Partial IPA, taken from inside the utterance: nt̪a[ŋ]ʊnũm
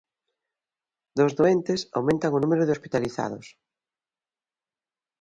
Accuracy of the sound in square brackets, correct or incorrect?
correct